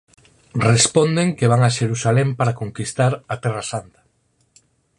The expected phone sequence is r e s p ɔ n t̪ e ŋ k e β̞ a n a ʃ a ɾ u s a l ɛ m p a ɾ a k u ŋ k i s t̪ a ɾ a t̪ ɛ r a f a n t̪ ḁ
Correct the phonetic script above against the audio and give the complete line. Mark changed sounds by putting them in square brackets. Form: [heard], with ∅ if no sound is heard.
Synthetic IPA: r e s p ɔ n [d̪] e ŋ k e β̞ a [ŋ] a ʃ [e] ɾ u s a l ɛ m p a ɾ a k [o] ŋ k i s t̪ a ɾ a t̪ ɛ r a [s] a n t̪ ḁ